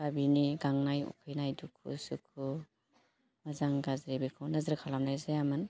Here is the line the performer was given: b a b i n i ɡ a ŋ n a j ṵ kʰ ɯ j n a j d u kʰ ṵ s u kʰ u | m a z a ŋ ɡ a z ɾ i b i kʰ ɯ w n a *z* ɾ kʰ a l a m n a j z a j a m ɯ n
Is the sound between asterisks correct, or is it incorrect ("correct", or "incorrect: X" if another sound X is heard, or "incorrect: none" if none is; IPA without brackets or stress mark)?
correct